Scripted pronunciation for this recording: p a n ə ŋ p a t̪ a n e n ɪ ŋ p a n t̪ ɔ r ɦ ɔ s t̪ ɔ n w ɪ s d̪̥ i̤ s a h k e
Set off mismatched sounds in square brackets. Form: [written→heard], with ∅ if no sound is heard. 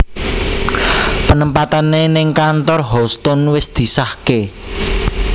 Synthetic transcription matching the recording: p [a→ə] n ə [ŋ→m] p a t̪ a n e n ɪ ŋ [p→k] a n t̪ ɔ r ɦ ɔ s t̪ ɔ n w ɪ s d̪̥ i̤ s a h k e